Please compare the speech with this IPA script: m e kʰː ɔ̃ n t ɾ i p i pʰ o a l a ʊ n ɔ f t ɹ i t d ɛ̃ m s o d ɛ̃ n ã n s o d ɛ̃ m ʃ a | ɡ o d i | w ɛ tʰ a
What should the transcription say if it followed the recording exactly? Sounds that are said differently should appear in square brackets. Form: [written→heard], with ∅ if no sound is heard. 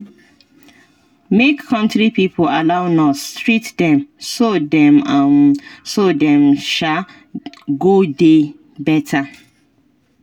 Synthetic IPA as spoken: m e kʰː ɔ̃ n t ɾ i p i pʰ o a l a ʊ n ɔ [f→s] t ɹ i t d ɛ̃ m s o d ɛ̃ [n→m] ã n s o d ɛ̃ m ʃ a | ɡ o d [i→e] | [w→b] ɛ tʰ a